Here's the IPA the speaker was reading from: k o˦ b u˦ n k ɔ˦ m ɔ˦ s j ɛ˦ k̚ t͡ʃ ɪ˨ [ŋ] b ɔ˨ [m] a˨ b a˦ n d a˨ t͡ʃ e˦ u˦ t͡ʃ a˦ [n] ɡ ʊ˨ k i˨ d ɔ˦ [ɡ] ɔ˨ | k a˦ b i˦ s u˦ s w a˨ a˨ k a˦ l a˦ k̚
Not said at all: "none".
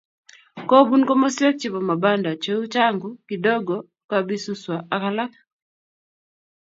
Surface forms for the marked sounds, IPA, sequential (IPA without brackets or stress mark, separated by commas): none, m, ŋ, ɡ